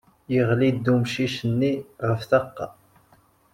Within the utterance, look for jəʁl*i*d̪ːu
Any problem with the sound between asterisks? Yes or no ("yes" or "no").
no